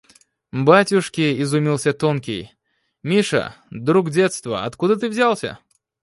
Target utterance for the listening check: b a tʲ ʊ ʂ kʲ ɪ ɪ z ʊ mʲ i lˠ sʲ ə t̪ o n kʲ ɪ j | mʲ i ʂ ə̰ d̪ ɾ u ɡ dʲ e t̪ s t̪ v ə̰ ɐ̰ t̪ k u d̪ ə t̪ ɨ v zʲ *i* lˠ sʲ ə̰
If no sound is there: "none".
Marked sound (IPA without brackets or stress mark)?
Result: a